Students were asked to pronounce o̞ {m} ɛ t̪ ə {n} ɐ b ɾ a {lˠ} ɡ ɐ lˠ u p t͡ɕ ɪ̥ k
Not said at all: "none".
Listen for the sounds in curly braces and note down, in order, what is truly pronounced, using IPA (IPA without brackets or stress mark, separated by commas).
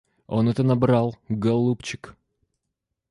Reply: n, n, lˠ